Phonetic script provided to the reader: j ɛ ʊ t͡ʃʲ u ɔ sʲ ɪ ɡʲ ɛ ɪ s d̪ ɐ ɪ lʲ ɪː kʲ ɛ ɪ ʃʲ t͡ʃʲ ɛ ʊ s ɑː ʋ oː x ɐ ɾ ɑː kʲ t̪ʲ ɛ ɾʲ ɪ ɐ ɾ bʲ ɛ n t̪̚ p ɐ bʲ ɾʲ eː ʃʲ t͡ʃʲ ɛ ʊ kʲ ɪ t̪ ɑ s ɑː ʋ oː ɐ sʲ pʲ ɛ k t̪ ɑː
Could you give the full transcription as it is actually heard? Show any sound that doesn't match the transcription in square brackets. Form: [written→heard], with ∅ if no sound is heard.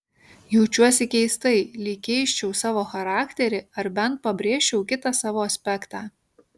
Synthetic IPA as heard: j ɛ ʊ t͡ʃʲ u ɔ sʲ ɪ [ɡʲ→kʲ] ɛ ɪ s [d̪→t̪] ɐ ɪ lʲ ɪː kʲ ɛ ɪ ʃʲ t͡ʃʲ ɛ ʊ s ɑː ʋ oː x ɐ ɾ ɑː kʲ t̪ʲ ɛ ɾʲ ɪ ɐ ɾ bʲ ɛ n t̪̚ p ɐ bʲ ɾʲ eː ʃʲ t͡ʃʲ ɛ ʊ kʲ ɪ t̪ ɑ s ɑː ʋ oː ɐ sʲ pʲ ɛ k t̪ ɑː